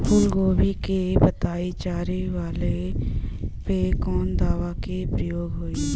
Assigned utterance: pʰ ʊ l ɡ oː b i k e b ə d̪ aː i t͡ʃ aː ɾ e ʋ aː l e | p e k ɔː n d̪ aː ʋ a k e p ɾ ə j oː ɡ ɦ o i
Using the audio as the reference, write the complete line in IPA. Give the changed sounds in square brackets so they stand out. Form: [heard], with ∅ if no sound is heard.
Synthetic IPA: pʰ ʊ l ɡ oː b i k e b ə [t̪] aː i t͡ʃ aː ɾ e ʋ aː l e | p e k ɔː n d̪ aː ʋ a k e p ɾ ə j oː ɡ ɦ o i